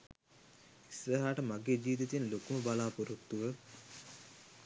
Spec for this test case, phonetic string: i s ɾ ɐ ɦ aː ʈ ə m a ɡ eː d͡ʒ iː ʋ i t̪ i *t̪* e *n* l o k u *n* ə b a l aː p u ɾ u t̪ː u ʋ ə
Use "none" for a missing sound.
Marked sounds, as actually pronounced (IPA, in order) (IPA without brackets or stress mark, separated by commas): t̪, n, m